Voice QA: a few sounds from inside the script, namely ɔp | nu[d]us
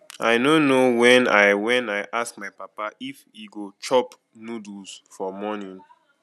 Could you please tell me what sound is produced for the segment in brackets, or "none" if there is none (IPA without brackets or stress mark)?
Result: d